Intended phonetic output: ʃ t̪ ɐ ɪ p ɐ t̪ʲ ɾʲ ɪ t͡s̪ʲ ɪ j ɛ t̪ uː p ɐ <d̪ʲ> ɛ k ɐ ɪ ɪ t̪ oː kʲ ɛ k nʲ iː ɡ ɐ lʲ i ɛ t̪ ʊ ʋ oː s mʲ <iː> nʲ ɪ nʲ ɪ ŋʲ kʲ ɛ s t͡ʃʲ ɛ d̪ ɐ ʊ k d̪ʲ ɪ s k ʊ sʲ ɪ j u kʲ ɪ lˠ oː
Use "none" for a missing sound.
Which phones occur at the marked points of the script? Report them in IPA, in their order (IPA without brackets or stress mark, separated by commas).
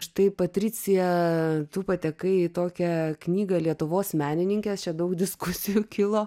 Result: t̪ʲ, æː